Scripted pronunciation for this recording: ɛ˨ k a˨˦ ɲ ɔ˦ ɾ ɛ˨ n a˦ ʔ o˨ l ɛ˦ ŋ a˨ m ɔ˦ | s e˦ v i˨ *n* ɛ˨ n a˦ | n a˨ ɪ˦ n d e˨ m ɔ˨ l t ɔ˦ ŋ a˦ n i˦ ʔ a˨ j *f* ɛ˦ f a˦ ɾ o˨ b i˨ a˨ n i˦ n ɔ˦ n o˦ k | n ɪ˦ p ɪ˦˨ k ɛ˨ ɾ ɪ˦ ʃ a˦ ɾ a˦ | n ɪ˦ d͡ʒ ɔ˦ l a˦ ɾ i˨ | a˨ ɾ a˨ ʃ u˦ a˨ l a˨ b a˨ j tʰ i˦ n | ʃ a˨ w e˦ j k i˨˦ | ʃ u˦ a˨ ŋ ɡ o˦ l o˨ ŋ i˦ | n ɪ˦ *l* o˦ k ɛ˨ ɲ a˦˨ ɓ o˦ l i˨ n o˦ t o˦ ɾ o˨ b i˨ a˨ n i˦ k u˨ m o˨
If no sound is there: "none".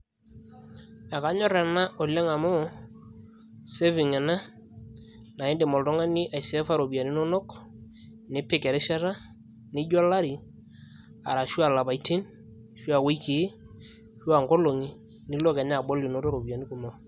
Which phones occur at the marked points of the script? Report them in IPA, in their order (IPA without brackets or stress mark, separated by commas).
ŋ, s, l